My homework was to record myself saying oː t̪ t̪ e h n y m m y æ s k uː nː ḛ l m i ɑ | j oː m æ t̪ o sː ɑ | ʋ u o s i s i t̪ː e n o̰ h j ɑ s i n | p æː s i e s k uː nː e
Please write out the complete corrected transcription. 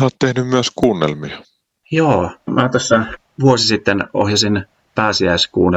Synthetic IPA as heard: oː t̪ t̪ e h n y m m y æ s k uː nː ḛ l m i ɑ | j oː m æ t̪ o sː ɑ | ʋ u o s i s i t̪ː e n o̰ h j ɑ s i n | p æː s i æ s k uː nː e